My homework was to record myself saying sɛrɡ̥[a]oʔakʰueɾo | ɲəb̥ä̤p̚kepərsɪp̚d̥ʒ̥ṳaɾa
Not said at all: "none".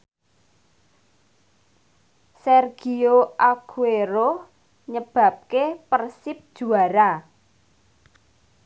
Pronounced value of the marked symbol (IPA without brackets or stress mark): i